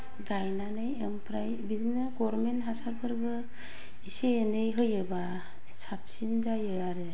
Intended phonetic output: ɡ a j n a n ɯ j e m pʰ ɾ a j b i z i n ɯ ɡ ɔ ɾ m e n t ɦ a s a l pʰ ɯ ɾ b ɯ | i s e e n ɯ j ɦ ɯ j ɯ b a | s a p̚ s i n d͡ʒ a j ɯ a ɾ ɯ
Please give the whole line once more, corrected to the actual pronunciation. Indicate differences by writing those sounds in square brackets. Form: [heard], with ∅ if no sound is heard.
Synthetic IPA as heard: ɡ a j n a n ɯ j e m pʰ ɾ a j b i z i n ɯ ɡ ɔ ɾ m e n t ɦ a s a [ɾ] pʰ ɯ ɾ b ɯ | i s e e n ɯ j ɦ ɯ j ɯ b a | s a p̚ s i n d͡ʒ a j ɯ a ɾ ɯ